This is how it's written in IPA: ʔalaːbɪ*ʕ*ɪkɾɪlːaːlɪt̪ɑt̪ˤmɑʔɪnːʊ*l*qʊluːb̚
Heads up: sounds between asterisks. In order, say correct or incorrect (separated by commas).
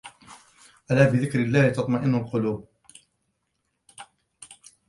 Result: incorrect, correct